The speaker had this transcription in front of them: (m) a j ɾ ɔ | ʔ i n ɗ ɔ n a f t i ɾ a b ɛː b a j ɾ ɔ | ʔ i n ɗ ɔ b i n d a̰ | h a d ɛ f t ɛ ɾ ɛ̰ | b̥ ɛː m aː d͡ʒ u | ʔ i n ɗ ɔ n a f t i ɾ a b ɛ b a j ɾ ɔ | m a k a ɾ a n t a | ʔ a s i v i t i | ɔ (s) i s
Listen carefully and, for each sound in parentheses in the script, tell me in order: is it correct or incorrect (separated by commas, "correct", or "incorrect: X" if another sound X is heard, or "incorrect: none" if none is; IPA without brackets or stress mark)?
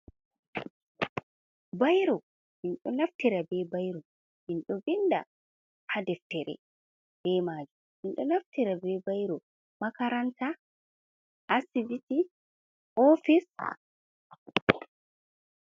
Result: incorrect: b, incorrect: f